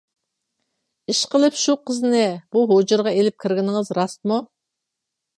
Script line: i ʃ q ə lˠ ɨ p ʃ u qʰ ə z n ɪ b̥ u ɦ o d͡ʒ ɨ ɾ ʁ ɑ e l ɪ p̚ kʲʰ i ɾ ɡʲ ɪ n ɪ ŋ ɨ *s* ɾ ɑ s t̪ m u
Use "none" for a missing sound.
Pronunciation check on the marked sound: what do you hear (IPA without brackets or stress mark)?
z